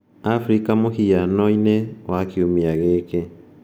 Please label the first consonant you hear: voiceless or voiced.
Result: voiceless